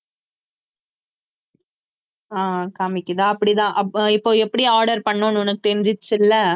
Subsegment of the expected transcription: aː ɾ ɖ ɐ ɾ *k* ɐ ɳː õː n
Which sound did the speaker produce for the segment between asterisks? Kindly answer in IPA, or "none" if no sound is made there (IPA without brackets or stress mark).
p